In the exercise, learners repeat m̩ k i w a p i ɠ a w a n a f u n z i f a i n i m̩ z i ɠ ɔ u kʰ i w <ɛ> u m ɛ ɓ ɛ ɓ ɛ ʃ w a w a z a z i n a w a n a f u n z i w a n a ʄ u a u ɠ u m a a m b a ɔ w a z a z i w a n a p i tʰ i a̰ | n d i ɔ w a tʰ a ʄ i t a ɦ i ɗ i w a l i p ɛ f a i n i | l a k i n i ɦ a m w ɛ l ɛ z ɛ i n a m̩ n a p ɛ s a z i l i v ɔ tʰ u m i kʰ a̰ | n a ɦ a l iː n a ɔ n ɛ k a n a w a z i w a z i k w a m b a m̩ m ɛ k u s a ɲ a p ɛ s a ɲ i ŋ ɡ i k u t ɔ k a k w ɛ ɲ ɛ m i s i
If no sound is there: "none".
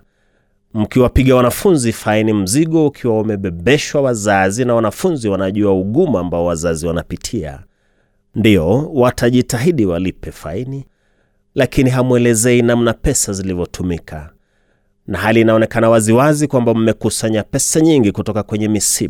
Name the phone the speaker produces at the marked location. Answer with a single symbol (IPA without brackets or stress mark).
a